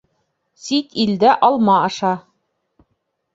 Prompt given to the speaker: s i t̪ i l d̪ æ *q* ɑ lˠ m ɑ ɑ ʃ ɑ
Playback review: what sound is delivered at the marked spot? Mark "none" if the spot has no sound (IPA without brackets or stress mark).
ʔ